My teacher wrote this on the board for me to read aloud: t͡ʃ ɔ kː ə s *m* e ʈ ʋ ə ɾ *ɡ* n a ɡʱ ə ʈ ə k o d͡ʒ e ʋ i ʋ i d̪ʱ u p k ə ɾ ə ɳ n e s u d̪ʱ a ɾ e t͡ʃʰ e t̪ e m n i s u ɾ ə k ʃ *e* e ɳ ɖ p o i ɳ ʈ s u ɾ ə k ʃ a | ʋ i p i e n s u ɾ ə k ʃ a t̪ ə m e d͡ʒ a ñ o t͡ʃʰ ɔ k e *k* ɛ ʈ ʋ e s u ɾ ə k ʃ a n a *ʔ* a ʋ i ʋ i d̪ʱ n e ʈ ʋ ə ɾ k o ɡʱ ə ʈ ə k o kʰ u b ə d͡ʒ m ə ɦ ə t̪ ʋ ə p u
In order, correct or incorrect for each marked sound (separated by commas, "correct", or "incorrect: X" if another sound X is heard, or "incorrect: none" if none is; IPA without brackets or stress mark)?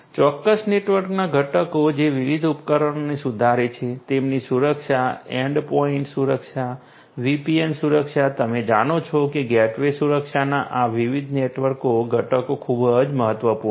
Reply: incorrect: n, incorrect: k, incorrect: a, incorrect: ɡ, correct